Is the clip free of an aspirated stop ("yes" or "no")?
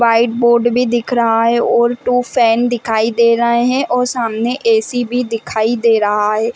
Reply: no